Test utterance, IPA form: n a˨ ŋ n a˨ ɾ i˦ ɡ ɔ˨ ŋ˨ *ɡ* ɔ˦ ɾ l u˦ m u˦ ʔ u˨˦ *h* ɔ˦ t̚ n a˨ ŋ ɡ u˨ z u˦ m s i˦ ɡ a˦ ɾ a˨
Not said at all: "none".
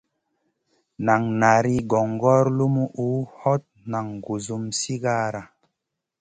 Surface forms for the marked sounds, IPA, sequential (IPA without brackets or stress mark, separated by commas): ɡ, h